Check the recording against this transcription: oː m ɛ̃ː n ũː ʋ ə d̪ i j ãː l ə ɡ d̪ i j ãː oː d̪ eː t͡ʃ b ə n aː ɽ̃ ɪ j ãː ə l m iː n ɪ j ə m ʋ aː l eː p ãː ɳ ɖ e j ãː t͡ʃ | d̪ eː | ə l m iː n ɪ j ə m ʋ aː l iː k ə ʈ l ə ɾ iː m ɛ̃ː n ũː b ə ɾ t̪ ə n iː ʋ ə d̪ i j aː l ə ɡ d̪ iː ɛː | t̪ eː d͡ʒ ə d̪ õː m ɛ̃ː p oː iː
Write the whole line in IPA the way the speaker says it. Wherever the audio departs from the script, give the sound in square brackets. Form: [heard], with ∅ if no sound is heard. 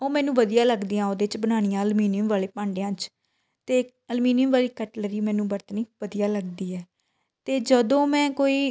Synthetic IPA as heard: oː m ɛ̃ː n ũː ʋ ə d̪ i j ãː l ə ɡ d̪ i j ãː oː d̪ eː t͡ʃ b ə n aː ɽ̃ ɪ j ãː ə l m iː n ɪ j ə m ʋ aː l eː p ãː ɳ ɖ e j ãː t͡ʃ | [t̪] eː | ə l m iː n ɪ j ə m ʋ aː l iː k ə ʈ l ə ɾ iː m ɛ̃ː n ũː b ə ɾ t̪ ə n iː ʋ ə d̪ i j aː l ə ɡ d̪ iː ɛː | t̪ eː d͡ʒ ə d̪ õː m ɛ̃ː [k] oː iː

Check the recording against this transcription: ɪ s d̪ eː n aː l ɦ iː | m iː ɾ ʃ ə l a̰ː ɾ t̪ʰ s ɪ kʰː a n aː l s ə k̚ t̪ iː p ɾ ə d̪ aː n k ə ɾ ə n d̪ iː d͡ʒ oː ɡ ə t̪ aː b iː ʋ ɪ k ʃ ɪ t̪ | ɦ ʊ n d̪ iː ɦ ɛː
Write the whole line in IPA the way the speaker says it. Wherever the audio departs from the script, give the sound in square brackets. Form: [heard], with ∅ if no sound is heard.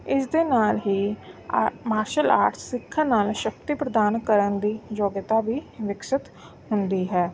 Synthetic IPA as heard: ɪ s d̪ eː n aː l ɦ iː | m [aː] ɾ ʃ ə l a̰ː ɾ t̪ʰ s ɪ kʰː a n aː l [ʃ] ə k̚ t̪ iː p ɾ ə d̪ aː n k ə ɾ ə n d̪ iː d͡ʒ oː ɡ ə t̪ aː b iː ʋ ɪ k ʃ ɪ t̪ | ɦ ʊ n d̪ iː ɦ ɛː

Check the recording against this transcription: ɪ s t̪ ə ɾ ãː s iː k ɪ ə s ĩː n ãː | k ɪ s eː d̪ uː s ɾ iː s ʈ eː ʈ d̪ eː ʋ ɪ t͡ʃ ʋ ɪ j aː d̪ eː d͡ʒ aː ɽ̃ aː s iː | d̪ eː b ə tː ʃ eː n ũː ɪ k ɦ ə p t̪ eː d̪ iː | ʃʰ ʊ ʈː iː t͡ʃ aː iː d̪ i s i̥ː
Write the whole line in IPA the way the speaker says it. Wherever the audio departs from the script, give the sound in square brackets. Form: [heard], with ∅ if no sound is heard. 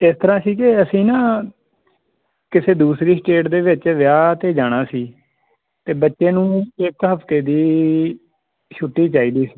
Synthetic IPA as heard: ɪ s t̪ ə ɾ ãː s iː k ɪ ə s ĩː n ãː | k ɪ s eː d̪ uː s ɾ iː s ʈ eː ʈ d̪ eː ʋ ɪ t͡ʃ ʋ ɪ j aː [t̪] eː d͡ʒ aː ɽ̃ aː s iː | [t̪] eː b ə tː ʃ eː n ũː ɪ k ɦ ə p t̪ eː d̪ iː | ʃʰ ʊ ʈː iː t͡ʃ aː iː d̪ [iː] s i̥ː

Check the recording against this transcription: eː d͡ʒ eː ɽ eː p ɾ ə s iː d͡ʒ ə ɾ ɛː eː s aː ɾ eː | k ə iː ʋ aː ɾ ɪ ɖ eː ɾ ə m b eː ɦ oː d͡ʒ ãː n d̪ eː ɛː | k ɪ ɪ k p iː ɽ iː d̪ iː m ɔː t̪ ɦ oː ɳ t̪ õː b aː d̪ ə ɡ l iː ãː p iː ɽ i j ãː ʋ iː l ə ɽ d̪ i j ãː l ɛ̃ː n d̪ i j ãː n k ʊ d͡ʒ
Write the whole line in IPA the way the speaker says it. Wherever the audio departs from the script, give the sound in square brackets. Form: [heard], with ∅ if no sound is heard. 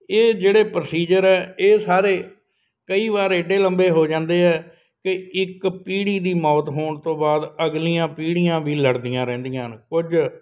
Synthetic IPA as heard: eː d͡ʒ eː ɽ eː p ɾ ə s iː d͡ʒ ə ɾ ɛː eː s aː ɾ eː | k ə iː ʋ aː ɾ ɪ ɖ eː [l] ə m b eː ɦ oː d͡ʒ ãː n d̪ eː ɛː | k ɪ ɪ k p iː ɽ iː d̪ iː m ɔː t̪ ɦ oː ɳ t̪ õː b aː d̪ ə ɡ l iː ãː p iː ɽ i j ãː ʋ iː l ə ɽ d̪ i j ãː [ɾ] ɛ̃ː n d̪ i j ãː n k ʊ d͡ʒ

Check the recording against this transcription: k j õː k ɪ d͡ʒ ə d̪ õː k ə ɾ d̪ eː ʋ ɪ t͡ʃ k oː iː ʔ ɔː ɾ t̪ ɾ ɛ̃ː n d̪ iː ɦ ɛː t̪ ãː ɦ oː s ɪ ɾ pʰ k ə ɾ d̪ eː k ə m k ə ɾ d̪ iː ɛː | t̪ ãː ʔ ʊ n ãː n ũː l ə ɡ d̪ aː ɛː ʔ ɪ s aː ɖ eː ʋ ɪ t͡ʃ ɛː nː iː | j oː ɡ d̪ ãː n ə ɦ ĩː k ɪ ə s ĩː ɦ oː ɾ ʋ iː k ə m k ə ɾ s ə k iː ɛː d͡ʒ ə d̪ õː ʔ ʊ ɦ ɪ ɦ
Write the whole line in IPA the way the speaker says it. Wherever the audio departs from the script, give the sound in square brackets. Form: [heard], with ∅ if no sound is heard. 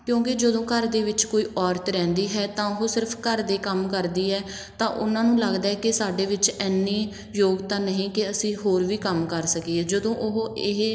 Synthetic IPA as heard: k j õː k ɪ d͡ʒ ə d̪ õː k ə ɾ d̪ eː ʋ ɪ t͡ʃ k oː iː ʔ ɔː ɾ t̪ ɾ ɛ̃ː n d̪ iː ɦ ɛː t̪ ãː ɦ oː s ɪ ɾ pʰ k ə ɾ d̪ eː k ə m k ə ɾ d̪ iː ɛː | t̪ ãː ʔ ʊ n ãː n ũː l ə ɡ d̪ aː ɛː [k] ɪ s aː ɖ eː ʋ ɪ t͡ʃ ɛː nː iː | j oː ɡ [t̪] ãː n ə ɦ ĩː k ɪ ə s ĩː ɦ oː ɾ ʋ iː k ə m k ə ɾ s ə k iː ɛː d͡ʒ ə d̪ õː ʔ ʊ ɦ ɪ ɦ

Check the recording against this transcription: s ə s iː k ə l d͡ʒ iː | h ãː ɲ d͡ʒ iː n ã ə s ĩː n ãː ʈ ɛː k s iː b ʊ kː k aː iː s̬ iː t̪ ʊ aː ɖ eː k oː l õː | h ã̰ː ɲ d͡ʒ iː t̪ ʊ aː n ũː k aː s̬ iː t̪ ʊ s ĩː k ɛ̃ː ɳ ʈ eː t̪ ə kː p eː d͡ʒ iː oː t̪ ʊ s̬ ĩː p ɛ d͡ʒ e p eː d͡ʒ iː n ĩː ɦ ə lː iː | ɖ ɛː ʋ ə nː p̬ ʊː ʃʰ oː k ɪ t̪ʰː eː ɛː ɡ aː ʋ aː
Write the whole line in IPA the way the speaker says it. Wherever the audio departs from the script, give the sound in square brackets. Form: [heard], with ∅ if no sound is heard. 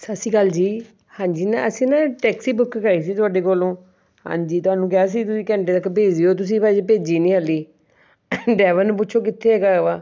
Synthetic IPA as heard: s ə s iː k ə l d͡ʒ iː | h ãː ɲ d͡ʒ iː n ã ə s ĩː n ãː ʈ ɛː k s iː b ʊ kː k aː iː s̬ iː t̪ ʊ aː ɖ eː k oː l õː | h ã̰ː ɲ d͡ʒ iː t̪ ʊ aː n ũː k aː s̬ iː t̪ ʊ s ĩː k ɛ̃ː ɳ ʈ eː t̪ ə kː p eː d͡ʒ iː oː t̪ ʊ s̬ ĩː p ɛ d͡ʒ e p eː d͡ʒ iː n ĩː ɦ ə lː iː | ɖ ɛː ʋ ə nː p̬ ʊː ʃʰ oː k ɪ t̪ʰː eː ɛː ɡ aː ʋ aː

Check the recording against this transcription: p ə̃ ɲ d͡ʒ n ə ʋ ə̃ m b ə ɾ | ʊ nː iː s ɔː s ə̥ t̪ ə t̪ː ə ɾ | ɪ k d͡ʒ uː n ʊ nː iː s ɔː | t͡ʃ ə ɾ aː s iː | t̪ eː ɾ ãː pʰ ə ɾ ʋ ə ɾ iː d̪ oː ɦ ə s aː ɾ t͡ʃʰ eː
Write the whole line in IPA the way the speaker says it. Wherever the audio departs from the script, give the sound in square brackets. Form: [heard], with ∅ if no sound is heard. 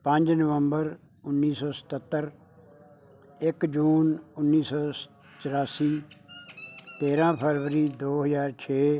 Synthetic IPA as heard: p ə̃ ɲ d͡ʒ n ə ʋ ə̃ m b ə ɾ | ʊ nː iː s ɔː s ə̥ t̪ ə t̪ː ə ɾ | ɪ k d͡ʒ uː n ʊ nː iː s ɔː | t͡ʃ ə ɾ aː s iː | t̪ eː ɾ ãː pʰ ə ɾ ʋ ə ɾ iː d̪ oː ɦ ə [z] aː ɾ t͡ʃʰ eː

